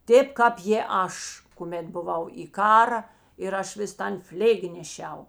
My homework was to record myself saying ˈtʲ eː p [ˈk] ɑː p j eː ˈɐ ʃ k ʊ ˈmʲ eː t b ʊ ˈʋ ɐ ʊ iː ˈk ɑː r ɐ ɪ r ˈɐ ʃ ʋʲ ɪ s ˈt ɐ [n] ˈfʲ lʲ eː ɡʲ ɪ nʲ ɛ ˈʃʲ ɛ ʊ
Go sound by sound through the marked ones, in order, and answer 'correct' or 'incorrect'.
correct, correct

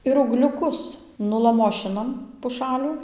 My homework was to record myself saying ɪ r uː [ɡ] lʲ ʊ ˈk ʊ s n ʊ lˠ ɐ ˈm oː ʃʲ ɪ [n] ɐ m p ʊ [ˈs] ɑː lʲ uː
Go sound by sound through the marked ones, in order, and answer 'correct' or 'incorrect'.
correct, correct, incorrect

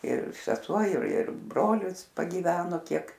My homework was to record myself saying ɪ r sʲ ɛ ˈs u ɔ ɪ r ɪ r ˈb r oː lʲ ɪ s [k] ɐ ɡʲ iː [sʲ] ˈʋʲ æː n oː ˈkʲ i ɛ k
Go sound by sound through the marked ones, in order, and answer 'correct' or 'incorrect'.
incorrect, incorrect

